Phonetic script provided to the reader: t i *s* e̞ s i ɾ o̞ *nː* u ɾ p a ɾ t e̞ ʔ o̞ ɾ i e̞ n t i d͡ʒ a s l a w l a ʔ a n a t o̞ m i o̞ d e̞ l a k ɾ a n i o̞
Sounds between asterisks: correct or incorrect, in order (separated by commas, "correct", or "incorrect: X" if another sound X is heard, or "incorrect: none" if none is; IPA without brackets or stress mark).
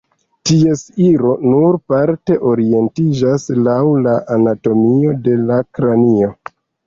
incorrect: none, incorrect: n